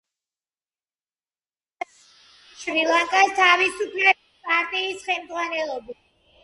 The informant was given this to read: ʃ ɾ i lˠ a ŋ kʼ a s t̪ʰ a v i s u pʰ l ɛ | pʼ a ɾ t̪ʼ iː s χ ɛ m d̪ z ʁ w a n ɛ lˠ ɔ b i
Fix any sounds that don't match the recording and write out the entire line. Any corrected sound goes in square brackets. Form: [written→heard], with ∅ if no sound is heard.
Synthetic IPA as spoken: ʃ ɾ i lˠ a ŋ kʼ a s t̪ʰ a v i s u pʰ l ɛ | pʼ a ɾ t̪ʼ iː s χ ɛ m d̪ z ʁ w a n ɛ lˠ ɔ b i